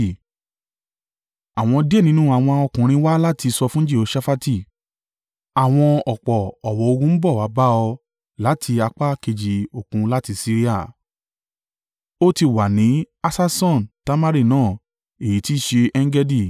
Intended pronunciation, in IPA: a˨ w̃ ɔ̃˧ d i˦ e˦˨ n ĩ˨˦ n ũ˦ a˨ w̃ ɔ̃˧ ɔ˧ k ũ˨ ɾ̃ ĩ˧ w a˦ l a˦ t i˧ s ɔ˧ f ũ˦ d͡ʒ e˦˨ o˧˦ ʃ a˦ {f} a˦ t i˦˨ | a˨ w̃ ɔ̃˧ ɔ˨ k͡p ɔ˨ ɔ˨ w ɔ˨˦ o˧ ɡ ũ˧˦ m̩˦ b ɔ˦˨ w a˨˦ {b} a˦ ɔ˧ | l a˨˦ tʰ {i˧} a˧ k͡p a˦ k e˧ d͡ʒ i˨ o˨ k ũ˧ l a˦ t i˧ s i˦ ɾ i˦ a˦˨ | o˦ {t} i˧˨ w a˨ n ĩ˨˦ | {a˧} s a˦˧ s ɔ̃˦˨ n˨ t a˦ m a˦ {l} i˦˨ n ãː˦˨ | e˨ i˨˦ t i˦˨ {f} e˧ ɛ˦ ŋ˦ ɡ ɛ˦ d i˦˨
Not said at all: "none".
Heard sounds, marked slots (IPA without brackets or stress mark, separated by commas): f, b, i˧, t, a˧, ɾ, ʃ